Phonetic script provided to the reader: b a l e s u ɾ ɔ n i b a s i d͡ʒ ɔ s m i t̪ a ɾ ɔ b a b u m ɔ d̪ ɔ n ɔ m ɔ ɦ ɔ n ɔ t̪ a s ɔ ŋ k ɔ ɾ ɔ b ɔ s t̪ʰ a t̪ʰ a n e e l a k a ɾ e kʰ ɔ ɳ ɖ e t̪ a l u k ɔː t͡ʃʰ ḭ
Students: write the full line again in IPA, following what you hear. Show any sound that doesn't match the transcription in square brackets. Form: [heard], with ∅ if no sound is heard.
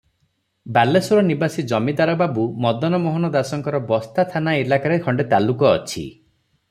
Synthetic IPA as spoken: b a l e s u ɾ ɔ n i b a s i d͡ʒ ɔ [∅] m i [d̪] a ɾ ɔ b a b u m ɔ d̪ ɔ n ɔ m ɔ ɦ ɔ n ɔ [d̪] a s ɔ ŋ k ɔ ɾ ɔ b ɔ s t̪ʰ a t̪ʰ a n [a] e l a k a ɾ e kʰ ɔ ɳ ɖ e t̪ a l u k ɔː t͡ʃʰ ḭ